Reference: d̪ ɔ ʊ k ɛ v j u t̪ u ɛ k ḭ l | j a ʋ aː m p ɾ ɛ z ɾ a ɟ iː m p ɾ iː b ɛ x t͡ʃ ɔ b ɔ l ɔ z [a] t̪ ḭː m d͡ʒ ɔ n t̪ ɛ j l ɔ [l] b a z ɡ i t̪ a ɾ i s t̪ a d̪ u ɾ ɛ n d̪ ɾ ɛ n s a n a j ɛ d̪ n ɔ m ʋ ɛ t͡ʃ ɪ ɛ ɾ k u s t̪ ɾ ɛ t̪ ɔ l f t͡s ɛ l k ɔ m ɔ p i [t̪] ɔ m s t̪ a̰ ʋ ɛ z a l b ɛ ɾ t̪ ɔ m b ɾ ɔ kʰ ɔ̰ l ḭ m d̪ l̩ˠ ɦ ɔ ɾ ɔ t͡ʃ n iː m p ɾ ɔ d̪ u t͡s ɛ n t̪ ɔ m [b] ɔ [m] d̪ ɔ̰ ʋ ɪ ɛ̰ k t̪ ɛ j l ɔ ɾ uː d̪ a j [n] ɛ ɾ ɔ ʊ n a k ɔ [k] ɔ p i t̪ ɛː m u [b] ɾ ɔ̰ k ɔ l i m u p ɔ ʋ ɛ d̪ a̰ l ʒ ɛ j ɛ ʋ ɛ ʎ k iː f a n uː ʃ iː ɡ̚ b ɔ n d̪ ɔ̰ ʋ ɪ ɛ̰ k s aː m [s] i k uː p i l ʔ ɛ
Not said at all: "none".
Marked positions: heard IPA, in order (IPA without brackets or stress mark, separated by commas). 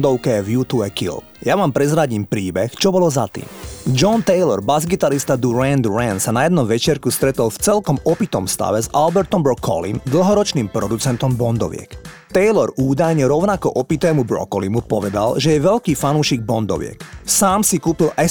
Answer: a, ɾ, t̪, b, n, ɲ, ʔ, b, s